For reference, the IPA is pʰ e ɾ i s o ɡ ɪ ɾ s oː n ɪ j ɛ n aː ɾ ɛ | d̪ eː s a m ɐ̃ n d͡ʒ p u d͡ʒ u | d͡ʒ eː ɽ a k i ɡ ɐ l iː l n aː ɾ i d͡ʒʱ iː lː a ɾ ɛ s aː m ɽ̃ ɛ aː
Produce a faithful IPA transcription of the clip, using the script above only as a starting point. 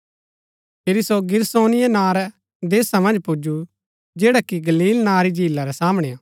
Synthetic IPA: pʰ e ɾ i s o ɡ ɪ ɾ s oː n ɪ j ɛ n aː ɾ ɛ | d̪ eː s a m ɐ̃ n d͡ʒ p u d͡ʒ u | d͡ʒ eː ɽ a k i ɡ ɐ l iː l n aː ɾ i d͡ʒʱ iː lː a ɾ ɛ s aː m ɽ̃ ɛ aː

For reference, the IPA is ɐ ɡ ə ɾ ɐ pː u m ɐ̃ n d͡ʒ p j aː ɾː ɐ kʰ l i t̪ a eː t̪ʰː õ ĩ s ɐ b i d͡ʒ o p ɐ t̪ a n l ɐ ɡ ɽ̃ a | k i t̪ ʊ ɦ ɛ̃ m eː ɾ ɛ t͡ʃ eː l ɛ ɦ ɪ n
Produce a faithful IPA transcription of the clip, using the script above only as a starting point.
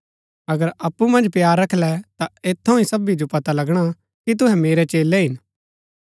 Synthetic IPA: ɐ ɡ ə ɾ ɐ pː u m ɐ̃ n d͡ʒ p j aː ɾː ɐ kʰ l ɛ t̪ a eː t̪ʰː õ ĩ s ɐ b i d͡ʒ o p ɐ t̪ a l ɐ ɡ ɽ̃ a | k i t̪ ʊ ɦ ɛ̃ m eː ɾ ɛ t͡ʃ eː l ɛ ɦ ɪ n

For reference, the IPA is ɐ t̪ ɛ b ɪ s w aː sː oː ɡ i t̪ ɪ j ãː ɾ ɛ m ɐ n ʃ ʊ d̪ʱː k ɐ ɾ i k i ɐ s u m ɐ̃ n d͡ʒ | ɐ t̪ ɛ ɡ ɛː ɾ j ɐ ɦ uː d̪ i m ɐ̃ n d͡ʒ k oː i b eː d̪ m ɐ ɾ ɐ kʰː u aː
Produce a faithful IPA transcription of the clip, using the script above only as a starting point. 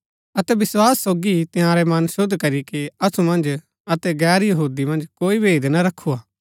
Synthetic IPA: ɐ t̪ ɛ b ɪ s w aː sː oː ɡ i t̪ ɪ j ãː ɾ ɛ m ɐ n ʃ ʊ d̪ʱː k ɐ ɾ i k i ɐ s u m ɐ̃ n d͡ʒ | ɐ t̪ ɛ ɡ ɛː ɾ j ɐ ɦ uː d̪ i m ɐ̃ n d͡ʒ k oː i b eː d̪ n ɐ ɾ ɐ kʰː u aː

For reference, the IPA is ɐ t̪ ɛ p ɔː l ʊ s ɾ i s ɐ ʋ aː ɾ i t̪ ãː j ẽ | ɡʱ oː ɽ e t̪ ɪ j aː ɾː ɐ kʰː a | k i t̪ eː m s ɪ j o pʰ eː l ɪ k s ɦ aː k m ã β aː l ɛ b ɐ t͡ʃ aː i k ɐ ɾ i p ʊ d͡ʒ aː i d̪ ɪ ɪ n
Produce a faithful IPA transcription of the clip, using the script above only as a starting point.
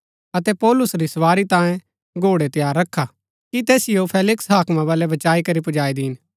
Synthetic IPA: ɐ t̪ ɛ p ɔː l ʊ s ɾ i s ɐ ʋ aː ɾ i t̪ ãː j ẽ | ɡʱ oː ɽ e t̪ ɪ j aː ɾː ɐ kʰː a | k i t̪ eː s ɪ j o pʰ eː l ɪ k s ɦ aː k m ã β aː l ɛ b ɐ t͡ʃ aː i k ɐ ɾ i p ʊ d͡ʒ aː i d̪ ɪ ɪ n

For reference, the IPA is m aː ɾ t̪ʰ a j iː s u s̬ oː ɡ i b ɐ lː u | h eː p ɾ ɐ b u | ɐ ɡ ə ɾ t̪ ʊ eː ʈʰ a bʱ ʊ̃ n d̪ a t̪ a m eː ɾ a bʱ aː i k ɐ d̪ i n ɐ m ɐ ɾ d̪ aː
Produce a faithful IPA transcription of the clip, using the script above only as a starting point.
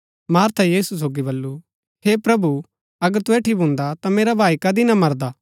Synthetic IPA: m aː ɾ t̪ʰ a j iː s u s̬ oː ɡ i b ɐ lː u | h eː p ɾ ɐ b u | ɐ ɡ ə ɾ t̪ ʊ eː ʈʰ i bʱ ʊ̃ n d̪ a t̪ a m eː ɾ a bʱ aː i k ɐ d̪ i n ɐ m ɐ ɾ d̪ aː

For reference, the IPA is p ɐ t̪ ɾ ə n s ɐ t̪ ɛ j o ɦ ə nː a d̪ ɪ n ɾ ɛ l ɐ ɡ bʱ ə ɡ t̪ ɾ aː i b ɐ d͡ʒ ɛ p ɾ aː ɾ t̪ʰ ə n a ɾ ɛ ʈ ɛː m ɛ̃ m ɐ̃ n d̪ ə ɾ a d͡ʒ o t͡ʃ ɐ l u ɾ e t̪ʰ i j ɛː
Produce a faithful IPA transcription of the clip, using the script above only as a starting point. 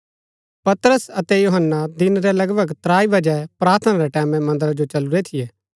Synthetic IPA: p ɐ t̪ ɾ ə s ɐ t̪ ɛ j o ɦ ə nː a d̪ ɪ n ɾ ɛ l ɐ ɡ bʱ ə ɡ t̪ ɾ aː i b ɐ d͡ʒ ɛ p ɾ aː ɾ t̪ʰ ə n a ɾ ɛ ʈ ɛː m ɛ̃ m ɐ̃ n d̪ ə ɾ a d͡ʒ o t͡ʃ ɐ l u ɾ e t̪ʰ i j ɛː

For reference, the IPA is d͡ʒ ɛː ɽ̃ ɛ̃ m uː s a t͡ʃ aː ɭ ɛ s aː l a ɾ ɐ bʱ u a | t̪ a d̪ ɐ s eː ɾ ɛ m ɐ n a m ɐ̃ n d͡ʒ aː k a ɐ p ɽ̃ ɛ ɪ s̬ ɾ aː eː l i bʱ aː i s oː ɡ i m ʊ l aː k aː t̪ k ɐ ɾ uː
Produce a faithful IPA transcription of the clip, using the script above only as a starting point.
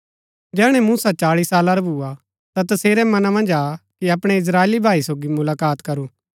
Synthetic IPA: d͡ʒ ɛː ɽ̃ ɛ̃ m uː s a t͡ʃ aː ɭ i s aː l a ɾ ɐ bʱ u a | t̪ a t̪ ɐ s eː ɾ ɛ m ɐ n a m ɐ̃ n d͡ʒ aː k i ɐ p ɽ̃ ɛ ɪ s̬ ɾ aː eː l i bʱ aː i s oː ɡ i m ʊ l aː k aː t̪ k ɐ ɾ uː

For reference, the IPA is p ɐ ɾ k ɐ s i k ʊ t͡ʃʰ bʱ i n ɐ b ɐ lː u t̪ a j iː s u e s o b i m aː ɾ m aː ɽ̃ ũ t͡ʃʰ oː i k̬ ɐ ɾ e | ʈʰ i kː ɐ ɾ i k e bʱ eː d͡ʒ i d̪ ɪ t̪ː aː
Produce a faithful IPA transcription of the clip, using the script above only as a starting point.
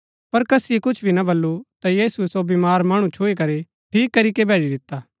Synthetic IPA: p ɐ ɾ k ɐ s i k ʊ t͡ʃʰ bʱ i n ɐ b ɐ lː u t̪ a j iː s u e s o b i m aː ɾ m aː ɽ̃ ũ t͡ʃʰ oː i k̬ ɐ ɾ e | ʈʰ iː kː ɐ ɾ i k e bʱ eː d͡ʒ i d̪ ɪ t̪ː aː

